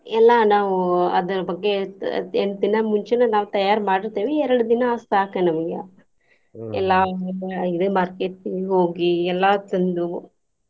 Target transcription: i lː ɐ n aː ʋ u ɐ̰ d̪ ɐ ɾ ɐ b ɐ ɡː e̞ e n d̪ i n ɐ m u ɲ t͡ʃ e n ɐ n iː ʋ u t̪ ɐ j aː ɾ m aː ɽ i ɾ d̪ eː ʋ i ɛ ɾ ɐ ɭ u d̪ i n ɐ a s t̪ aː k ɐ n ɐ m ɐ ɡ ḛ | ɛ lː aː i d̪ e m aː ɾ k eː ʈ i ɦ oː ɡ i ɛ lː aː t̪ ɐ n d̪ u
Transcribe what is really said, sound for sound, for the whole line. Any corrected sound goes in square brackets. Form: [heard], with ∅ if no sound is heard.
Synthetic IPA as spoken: [ɛ] lː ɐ n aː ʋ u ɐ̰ d̪ ɐ ɾ ɐ b ɐ ɡː e̞ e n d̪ i n ɐ m u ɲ t͡ʃ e n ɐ n [aː] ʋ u t̪ ɐ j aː ɾ m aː ɽ i ɾ [t̪] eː ʋ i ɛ ɾ ɐ [ɽ] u d̪ i n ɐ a s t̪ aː k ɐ n ɐ m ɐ ɡ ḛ | ɛ lː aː i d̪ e m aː ɾ k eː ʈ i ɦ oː ɡ i ɛ lː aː t̪ ɐ n d̪ u